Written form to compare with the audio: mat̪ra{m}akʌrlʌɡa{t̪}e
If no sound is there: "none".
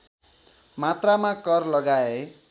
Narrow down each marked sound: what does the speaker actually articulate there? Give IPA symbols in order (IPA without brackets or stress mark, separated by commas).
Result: m, none